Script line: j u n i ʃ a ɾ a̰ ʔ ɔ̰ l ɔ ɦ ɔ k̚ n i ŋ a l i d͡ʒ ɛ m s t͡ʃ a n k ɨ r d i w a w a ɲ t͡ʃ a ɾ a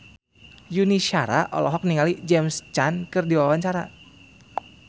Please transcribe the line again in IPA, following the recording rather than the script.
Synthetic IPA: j u n i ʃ a ɾ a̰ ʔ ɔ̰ l ɔ ɦ ɔ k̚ n i ŋ a l i d͡ʒ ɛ m s t͡ʃ a n k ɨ r d i w a w a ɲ t͡ʃ a ɾ a